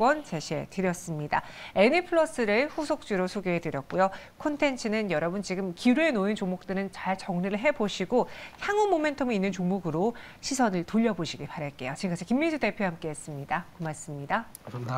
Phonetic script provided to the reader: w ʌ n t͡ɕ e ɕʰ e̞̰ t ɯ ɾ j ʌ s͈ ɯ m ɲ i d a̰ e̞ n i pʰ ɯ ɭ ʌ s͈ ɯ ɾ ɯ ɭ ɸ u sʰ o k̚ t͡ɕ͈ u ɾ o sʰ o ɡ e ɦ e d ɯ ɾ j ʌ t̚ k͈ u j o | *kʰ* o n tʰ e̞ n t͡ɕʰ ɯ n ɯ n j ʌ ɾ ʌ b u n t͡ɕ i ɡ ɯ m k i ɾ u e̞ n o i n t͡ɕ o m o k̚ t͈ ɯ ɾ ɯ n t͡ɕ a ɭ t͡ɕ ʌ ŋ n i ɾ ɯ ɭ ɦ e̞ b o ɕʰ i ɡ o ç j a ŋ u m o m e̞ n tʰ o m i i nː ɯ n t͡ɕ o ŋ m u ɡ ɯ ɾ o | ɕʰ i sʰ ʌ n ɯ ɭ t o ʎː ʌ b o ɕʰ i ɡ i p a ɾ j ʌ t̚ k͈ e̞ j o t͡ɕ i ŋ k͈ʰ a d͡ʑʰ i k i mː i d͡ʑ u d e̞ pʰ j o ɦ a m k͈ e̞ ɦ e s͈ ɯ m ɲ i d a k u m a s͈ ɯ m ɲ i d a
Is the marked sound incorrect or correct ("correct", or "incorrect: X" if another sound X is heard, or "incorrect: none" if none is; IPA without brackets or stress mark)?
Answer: correct